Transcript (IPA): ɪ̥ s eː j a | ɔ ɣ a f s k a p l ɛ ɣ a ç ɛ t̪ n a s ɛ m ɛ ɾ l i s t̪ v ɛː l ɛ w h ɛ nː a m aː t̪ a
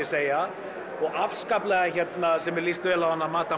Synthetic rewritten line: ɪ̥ s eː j a | ɔ ɣ a f s k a p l ɛ ɣ a ç ɛ t̪ n a s ɛ m ɛ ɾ l i s t̪ v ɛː l a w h a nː a m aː t̪ a